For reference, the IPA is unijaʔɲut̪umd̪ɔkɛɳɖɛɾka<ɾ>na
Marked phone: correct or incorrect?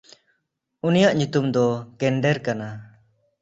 incorrect